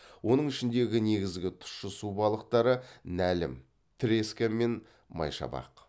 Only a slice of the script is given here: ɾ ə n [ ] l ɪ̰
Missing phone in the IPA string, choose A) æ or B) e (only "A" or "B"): A